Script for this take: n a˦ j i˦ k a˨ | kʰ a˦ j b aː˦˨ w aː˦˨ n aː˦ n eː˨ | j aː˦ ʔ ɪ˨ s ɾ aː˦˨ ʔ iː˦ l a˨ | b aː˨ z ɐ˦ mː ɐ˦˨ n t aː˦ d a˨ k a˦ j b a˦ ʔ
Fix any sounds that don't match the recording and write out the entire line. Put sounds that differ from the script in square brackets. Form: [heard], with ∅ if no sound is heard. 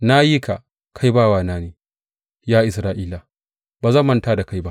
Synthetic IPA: n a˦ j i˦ k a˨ | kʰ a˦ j b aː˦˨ w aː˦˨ n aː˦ n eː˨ | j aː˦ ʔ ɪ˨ s ɾ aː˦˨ ʔ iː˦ l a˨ | b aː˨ z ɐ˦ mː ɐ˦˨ n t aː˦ d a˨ k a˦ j b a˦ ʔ